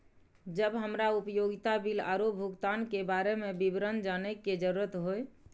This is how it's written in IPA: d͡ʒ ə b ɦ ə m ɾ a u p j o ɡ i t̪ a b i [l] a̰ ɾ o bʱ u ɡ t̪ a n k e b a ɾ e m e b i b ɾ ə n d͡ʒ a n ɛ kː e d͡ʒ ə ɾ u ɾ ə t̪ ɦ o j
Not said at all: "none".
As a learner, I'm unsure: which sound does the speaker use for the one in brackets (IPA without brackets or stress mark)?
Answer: l